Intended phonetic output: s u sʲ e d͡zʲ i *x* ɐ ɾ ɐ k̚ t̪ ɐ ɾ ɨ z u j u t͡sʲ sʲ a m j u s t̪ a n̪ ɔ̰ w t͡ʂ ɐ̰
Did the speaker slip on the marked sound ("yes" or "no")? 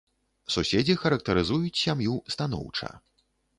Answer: no